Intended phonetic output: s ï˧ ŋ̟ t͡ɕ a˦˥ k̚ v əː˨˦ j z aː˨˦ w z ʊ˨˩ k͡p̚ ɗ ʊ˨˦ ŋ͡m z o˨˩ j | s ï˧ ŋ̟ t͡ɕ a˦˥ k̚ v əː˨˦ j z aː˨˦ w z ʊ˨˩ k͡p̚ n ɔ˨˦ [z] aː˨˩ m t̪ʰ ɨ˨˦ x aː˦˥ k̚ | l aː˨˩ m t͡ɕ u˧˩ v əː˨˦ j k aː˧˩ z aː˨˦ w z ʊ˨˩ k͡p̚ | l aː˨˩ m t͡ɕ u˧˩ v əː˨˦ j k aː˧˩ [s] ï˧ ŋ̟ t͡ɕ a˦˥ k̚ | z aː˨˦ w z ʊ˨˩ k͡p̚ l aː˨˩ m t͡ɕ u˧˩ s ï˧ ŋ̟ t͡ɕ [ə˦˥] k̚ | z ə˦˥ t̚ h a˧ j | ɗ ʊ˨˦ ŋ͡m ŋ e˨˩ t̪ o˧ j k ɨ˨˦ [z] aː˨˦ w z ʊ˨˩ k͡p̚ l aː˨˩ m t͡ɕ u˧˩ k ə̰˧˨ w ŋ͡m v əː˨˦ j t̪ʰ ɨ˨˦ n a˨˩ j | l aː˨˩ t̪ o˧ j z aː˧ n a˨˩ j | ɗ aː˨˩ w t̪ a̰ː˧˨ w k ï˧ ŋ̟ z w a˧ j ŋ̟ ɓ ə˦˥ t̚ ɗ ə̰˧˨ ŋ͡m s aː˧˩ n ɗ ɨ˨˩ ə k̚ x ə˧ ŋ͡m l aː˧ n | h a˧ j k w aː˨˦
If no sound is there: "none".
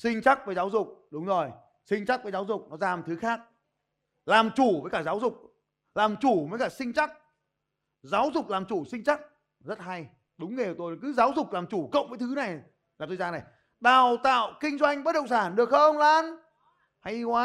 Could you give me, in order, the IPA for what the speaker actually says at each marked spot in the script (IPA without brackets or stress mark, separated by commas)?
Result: z, s, a˦˥, z